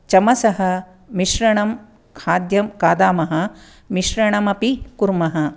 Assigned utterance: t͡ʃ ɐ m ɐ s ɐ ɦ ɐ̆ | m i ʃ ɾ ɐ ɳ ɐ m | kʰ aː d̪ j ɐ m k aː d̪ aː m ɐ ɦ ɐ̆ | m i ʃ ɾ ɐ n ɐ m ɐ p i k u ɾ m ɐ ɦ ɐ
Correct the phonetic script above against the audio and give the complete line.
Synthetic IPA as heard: t͡ʃ ɐ m ɐ s ɐ ɦ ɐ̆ | m i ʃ ɾ ɐ ɳ ɐ m | kʰ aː d̪ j ɐ m k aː d̪ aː m ɐ ɦ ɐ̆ | m i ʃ ɾ ɐ ɳ ɐ m ɐ p i k u ɾ m ɐ ɦ ɐ